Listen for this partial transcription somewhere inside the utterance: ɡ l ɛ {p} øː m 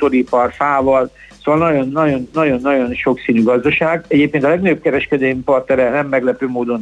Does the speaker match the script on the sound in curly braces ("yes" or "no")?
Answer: yes